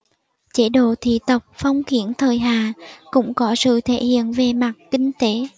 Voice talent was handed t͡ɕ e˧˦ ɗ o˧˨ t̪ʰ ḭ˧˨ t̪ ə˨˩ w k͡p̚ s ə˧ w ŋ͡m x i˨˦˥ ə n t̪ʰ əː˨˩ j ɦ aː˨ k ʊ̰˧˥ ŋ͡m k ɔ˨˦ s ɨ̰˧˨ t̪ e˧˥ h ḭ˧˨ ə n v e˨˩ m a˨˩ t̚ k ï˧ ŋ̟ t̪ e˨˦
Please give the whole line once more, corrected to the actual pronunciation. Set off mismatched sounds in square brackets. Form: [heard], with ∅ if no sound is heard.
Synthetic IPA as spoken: t͡ɕ e˧˦ ɗ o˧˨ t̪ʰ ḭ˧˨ t̪ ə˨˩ w k͡p̚ [f] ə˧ w ŋ͡m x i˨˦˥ ə n t̪ʰ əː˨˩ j ɦ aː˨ k ʊ̰˧˥ ŋ͡m k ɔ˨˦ s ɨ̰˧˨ [t̪ʰ] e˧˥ h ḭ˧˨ ə n v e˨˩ m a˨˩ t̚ k ï˧ ŋ̟ t̪ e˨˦